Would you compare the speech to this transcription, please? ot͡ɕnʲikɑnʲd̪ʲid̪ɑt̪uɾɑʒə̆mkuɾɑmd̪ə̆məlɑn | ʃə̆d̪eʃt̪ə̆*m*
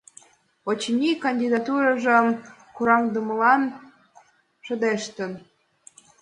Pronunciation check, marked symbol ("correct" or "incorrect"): incorrect